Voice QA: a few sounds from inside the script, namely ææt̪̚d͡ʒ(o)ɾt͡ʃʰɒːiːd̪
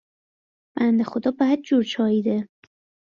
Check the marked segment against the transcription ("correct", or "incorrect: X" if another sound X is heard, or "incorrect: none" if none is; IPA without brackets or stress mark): incorrect: u